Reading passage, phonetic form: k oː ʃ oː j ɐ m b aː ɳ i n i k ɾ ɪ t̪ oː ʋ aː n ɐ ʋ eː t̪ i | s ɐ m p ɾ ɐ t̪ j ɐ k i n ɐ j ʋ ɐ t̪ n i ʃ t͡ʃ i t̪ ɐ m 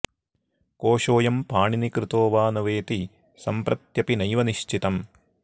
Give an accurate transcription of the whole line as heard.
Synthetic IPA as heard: k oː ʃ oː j ɐ m p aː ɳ i n i k ɾ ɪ t̪ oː ʋ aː n ɐ ʋ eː t̪ i | s ɐ m p ɾ ɐ t̪ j ɐ p i n ɐ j ʋ ɐ n i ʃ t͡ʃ i t̪ ɐ m